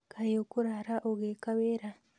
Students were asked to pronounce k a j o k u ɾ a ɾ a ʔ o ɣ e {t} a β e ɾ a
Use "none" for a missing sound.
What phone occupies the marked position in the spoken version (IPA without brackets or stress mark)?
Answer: k